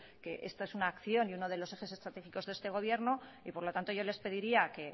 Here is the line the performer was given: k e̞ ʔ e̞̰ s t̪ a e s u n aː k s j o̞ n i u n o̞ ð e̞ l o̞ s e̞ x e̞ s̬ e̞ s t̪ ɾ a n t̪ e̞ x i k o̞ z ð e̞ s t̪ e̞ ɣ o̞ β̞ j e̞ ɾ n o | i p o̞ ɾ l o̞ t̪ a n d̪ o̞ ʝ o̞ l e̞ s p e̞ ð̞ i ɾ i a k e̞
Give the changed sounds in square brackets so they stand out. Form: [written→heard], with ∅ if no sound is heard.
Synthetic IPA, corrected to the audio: k e̞ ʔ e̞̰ s t̪ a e s u n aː k [s→θ] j o̞ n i u n o̞ ð e̞ l o̞ s e̞ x e̞ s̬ e̞ s t̪ ɾ a [n→∅] t̪ e̞ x i k o̞ z ð e̞ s t̪ e̞ ɣ o̞ β̞ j e̞ ɾ n o | i p o̞ ɾ l o̞ t̪ a n [d̪→t̪] o̞ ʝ o̞ l e̞ s p e̞ ð̞ i ɾ i a k e̞